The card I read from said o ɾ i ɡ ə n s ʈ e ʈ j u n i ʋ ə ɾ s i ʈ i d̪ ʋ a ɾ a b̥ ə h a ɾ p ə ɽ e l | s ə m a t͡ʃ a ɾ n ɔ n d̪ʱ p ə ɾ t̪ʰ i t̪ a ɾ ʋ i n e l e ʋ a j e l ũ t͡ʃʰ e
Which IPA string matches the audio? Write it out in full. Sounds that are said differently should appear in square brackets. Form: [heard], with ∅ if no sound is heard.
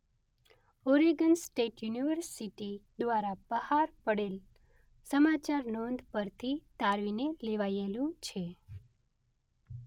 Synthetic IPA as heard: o ɾ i ɡ ə n s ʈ e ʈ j u n i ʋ ə ɾ s i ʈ i d̪ ʋ a ɾ a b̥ ə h a ɾ p ə ɽ e l | s ə m a t͡ʃ a ɾ n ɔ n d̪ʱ p ə ɾ t̪ʰ i t̪ a ɾ ʋ i n e l e ʋ a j e l ũ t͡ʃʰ e